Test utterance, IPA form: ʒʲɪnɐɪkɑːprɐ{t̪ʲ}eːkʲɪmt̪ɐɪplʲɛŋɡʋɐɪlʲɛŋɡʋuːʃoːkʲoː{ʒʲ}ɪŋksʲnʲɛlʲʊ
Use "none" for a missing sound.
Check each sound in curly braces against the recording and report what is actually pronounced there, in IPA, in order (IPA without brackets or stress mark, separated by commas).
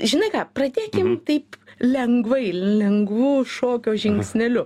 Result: d̪ʲ, ʒʲ